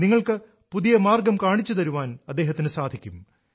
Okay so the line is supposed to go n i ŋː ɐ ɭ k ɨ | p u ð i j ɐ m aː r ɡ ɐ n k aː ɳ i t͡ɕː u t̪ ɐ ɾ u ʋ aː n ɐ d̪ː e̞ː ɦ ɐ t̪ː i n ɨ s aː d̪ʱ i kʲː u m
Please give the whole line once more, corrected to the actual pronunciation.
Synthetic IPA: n i ŋː ɐ ɭ k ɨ | p u ð i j ɐ m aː r ɡ ɐ m k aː ɳ i t͡ɕː u t̪ ɐ ɾ u ʋ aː n ɐ d̪ː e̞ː ɦ ɐ t̪ː i n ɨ s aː d̪ʱ i kʲː u m